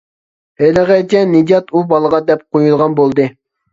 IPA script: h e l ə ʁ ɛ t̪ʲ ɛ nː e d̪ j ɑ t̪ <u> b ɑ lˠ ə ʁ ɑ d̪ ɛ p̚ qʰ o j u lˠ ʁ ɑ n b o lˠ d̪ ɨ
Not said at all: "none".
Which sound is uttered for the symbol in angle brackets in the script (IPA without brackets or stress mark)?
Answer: u